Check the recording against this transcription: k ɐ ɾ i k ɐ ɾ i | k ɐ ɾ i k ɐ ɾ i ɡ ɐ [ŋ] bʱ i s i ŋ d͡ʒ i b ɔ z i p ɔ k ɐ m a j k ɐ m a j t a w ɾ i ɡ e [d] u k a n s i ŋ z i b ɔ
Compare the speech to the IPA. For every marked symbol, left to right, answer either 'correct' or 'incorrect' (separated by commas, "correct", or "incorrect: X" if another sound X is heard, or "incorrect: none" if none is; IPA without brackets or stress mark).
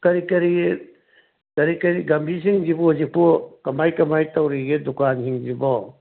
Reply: incorrect: m, correct